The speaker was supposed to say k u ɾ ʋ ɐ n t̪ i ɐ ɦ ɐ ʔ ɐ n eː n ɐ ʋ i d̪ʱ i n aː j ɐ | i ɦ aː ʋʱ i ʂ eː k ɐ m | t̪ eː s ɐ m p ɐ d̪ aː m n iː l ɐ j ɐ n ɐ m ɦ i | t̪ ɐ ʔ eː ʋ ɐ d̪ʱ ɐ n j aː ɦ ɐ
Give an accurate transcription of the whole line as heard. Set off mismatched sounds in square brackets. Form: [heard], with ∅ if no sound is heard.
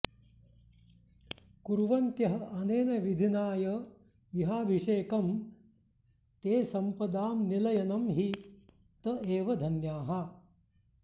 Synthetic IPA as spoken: k u ɾ ʋ ɐ n t̪ [j] ɐ ɦ ɐ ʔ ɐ n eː n ɐ ʋ i d̪ʱ i n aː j ɐ | i ɦ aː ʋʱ i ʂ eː k ɐ m | t̪ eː s ɐ m p ɐ d̪ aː m n [i] l ɐ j ɐ n ɐ m ɦ i | t̪ ɐ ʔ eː ʋ ɐ d̪ʱ ɐ n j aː ɦ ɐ